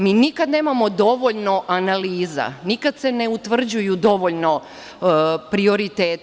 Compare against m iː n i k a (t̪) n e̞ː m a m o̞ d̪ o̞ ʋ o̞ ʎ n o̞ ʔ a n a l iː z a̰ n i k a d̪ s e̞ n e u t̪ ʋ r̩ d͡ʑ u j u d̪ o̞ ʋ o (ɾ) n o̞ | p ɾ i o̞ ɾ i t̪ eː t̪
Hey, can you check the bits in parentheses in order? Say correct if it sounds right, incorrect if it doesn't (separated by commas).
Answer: incorrect, incorrect